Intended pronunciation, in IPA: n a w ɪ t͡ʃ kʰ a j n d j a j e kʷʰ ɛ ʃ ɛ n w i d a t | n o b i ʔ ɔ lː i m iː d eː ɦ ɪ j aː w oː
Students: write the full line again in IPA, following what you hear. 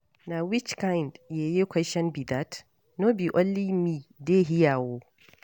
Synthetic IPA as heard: n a w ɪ t͡ʃ k a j n d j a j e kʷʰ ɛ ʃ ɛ n b i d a t | n o b i ʔ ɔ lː i m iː d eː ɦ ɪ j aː w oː